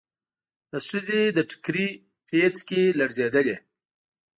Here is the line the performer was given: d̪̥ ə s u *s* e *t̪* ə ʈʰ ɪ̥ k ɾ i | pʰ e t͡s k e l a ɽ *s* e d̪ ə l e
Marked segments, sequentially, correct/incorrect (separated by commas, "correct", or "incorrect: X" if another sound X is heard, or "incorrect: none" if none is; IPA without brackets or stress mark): incorrect: z, incorrect: d̪, incorrect: z